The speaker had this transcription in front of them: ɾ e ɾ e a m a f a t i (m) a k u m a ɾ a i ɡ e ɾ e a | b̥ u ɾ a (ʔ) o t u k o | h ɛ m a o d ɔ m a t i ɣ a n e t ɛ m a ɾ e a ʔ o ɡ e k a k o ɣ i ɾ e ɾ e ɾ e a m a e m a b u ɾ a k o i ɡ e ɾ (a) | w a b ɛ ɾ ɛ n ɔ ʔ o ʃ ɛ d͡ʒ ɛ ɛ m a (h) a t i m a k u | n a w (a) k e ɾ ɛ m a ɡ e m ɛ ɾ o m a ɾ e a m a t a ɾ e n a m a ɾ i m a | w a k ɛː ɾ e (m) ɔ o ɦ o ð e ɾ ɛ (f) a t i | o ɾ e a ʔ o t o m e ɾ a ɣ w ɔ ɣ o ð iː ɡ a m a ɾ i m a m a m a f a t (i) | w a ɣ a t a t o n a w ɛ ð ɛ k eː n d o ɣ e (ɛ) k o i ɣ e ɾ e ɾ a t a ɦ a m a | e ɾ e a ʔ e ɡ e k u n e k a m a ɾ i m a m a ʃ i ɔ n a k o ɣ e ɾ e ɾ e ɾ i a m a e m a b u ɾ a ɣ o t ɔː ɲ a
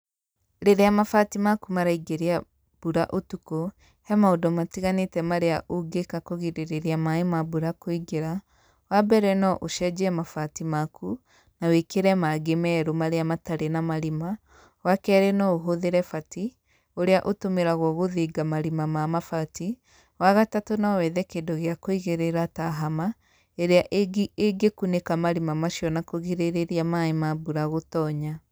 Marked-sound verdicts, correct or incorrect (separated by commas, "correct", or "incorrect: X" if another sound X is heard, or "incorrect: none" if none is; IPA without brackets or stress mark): correct, correct, correct, incorrect: f, incorrect: e, incorrect: n, correct, correct, incorrect: a